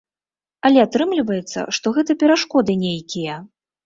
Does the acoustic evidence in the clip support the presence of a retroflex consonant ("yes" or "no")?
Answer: yes